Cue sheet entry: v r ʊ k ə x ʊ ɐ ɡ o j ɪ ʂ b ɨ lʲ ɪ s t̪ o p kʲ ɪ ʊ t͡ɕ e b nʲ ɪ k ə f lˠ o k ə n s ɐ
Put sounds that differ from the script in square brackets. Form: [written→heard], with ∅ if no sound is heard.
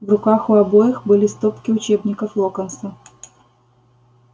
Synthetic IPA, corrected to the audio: v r ʊ k [ə→a] x ʊ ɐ [ɡ→b] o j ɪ [ʂ→x] b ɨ lʲ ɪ s t̪ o p kʲ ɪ ʊ t͡ɕ e b nʲ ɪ k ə f lˠ o k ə n s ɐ